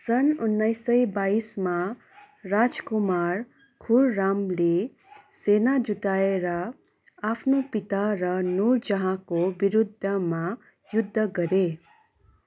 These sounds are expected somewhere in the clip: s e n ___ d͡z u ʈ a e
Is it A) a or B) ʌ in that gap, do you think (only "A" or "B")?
A